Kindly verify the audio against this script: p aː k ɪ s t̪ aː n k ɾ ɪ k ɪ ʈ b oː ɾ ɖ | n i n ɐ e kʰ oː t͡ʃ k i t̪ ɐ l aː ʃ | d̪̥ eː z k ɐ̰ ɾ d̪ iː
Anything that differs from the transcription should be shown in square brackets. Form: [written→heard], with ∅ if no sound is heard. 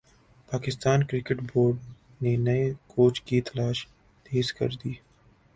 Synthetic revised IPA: p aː k ɪ s t̪ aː n k ɾ ɪ k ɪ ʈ b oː ɾ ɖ | n [i→e] n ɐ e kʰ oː t͡ʃ k i t̪ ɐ l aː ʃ | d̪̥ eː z k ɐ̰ ɾ d̪ iː